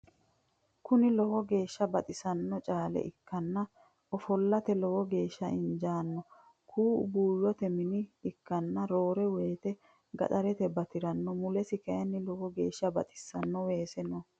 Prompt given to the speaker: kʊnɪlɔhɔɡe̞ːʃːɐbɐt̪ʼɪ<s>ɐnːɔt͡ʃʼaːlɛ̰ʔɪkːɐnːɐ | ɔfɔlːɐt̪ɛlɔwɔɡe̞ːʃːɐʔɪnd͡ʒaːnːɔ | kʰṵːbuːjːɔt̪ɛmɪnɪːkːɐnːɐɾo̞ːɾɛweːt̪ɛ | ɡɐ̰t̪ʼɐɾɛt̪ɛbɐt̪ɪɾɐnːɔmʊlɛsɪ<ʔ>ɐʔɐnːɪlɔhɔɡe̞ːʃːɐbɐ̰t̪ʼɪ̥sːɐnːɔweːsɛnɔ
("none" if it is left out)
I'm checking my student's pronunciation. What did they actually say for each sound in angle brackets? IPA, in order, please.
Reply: s, k

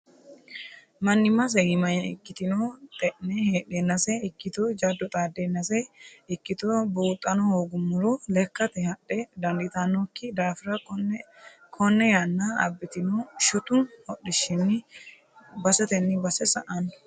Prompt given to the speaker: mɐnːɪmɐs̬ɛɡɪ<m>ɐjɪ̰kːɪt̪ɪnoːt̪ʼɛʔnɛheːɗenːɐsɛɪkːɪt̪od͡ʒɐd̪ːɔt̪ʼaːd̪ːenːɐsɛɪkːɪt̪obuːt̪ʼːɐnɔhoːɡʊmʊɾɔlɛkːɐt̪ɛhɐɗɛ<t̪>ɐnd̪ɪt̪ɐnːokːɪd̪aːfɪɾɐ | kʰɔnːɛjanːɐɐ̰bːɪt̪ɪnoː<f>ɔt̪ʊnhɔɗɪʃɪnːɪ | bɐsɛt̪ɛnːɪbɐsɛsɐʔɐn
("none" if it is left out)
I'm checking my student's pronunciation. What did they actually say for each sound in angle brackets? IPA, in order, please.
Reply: m, d̪, ʃ

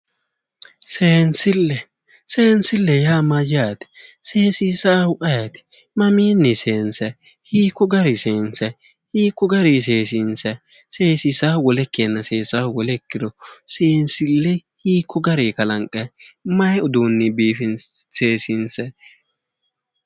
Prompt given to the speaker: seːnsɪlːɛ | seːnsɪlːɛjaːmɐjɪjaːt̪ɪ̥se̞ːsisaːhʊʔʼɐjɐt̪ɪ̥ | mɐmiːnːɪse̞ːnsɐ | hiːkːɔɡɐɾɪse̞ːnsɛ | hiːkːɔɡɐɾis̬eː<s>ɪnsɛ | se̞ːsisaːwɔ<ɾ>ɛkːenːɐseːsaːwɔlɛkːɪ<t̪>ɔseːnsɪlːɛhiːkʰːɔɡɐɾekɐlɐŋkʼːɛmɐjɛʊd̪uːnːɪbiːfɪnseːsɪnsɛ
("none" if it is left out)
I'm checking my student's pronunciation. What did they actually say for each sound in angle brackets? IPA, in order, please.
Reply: s, l, d̪

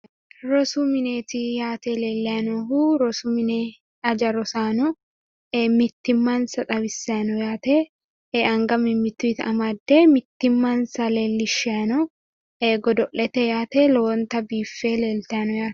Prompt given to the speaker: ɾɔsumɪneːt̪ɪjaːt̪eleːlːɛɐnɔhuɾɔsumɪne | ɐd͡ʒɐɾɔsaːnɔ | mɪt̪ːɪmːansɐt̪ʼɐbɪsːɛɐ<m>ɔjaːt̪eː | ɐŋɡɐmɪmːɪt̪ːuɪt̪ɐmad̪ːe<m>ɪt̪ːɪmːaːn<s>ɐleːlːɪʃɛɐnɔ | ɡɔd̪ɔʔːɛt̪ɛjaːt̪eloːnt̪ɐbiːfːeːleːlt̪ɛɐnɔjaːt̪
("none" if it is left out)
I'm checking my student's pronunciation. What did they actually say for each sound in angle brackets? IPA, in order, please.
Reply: n, m, s

